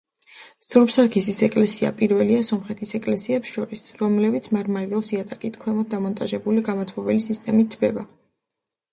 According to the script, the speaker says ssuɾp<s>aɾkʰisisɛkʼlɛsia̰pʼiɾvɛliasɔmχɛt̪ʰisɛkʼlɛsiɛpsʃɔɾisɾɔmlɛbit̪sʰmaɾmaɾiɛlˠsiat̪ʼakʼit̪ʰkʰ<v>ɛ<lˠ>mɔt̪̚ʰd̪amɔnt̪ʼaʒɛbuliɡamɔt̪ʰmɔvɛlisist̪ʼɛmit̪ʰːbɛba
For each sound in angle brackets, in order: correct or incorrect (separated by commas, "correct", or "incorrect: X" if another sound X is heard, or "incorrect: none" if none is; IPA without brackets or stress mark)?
correct, incorrect: w, incorrect: none